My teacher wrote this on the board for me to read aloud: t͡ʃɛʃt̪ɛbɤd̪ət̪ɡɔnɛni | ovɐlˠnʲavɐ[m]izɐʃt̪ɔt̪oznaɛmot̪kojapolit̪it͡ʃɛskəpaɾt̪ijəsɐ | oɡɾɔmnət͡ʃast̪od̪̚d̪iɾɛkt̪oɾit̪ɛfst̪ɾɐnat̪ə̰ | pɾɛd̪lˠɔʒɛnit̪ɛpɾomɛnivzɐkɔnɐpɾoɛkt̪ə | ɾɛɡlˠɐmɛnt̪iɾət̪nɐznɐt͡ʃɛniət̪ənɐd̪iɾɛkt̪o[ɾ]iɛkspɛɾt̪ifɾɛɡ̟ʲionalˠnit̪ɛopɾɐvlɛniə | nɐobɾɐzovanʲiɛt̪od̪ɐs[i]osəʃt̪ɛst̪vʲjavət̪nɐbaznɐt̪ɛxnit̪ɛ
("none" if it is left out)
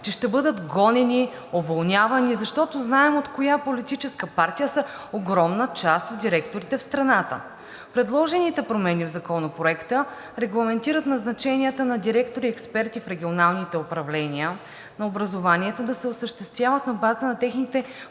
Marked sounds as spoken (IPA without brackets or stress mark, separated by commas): n, ɾ, ɛ